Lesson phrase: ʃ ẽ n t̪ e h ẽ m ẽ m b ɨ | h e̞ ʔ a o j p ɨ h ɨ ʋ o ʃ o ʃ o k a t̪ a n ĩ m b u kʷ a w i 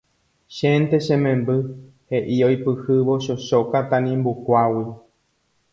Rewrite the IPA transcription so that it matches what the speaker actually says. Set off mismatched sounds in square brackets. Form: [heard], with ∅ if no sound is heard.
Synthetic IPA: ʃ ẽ n t̪ e [ʃ] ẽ m ẽ m b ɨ | h e̞ ʔ [i] o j p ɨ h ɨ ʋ o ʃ o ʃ o k a t̪ a n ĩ m b u kʷ a w i